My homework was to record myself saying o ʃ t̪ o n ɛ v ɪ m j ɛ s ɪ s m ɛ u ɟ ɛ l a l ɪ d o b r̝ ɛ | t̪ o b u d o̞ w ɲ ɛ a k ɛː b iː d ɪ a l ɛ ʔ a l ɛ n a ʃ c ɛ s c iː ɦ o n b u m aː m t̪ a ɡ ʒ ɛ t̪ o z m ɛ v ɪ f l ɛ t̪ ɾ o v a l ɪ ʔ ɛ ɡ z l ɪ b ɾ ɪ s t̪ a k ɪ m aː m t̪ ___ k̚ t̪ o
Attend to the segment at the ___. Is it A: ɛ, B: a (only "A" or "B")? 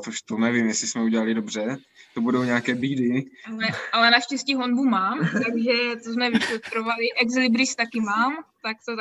B